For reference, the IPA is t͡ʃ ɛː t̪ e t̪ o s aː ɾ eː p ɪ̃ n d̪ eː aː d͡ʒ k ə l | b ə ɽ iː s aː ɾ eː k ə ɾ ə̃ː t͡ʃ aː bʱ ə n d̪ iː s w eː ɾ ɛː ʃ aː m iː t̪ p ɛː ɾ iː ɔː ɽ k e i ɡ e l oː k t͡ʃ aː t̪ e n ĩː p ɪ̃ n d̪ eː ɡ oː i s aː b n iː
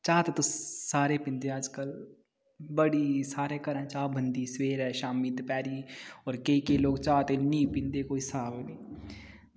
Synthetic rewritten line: t͡ʃ aː t̪ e t̪ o s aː ɾ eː p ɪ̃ n d̪ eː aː d͡ʒ k ə l | b ə ɽ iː s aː ɾ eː k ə ɾ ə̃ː t͡ʃ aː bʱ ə n d̪ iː s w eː ɾ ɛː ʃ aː m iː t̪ p ɛː ɾ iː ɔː ɾ k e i k e l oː ɡ t͡ʃ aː t̪ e n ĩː p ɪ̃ n d̪ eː k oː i s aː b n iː